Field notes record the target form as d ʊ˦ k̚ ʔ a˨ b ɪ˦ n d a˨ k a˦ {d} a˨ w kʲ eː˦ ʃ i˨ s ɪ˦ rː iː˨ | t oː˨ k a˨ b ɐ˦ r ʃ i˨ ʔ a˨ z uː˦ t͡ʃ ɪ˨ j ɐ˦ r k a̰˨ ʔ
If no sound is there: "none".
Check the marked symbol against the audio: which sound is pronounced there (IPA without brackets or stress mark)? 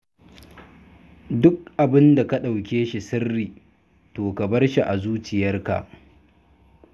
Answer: ɗ